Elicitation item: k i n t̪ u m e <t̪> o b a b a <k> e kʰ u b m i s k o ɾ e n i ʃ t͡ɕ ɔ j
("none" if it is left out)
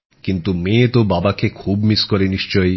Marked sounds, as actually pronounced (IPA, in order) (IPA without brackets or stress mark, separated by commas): t̪, k